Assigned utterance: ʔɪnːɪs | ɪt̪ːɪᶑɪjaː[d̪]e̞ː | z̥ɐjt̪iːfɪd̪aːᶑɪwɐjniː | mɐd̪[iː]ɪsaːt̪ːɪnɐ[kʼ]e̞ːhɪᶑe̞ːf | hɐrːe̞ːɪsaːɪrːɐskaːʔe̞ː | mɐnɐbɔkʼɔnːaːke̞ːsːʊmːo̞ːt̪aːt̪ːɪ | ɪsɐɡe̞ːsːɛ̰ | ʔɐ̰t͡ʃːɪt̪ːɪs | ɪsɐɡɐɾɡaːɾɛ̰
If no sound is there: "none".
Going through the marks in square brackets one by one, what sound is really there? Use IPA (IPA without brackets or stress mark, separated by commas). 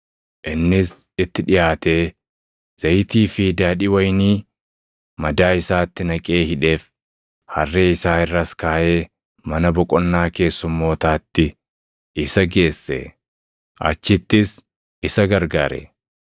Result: t̪, aː, kʼ